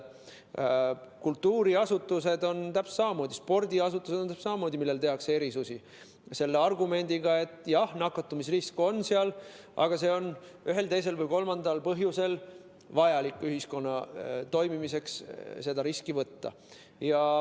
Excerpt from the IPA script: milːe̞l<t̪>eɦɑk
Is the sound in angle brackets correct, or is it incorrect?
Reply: correct